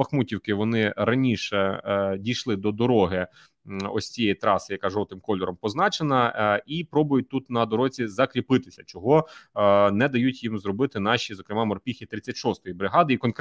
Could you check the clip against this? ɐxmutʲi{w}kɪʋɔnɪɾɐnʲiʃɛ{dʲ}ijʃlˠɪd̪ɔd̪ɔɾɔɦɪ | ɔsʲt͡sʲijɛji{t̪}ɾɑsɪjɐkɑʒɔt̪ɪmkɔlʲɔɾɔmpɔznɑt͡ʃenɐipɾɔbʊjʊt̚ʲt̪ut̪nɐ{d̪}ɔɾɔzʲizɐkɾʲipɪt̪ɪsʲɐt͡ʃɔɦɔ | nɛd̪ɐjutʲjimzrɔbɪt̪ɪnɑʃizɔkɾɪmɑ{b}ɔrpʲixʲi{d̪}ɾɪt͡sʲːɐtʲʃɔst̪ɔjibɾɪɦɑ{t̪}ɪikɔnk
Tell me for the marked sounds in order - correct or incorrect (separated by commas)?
correct, correct, correct, correct, incorrect, incorrect, incorrect